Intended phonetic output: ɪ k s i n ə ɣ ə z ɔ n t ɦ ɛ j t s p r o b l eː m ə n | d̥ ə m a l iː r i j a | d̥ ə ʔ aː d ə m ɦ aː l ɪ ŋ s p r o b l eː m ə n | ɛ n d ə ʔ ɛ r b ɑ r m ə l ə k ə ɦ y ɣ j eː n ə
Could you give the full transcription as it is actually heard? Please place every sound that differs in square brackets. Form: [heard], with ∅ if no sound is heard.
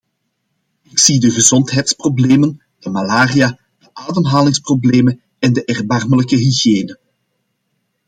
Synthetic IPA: ɪ k s i [d] ə ɣ ə z ɔ n t ɦ ɛ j t s p r o b l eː m ə n | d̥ ə m a l [aː] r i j a | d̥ ə ʔ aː d ə m ɦ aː l ɪ ŋ s p r o b l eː m ə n | ɛ n d ə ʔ ɛ r b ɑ r m ə l ə k ə ɦ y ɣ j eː n ə